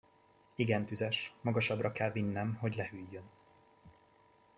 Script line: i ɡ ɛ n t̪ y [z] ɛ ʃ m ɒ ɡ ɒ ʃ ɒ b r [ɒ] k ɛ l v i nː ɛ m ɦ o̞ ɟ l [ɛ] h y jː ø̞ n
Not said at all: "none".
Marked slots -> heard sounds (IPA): z, ɒ, ɛ

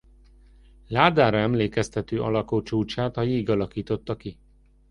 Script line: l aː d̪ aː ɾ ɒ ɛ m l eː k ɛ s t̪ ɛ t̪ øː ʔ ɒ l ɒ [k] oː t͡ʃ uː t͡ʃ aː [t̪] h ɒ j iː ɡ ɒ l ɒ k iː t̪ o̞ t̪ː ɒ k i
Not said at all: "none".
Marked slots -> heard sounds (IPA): k, t̪

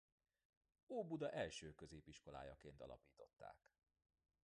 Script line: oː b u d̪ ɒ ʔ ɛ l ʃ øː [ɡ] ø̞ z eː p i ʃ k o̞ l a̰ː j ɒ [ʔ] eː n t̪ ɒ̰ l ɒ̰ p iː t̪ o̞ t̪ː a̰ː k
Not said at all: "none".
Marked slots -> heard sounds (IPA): k, k

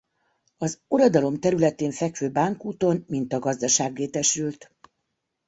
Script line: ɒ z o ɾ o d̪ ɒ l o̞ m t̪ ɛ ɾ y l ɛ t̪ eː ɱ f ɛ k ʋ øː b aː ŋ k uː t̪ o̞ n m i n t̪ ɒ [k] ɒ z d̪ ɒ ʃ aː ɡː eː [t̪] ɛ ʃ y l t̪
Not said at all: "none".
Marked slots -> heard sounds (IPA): ɡ, t̪

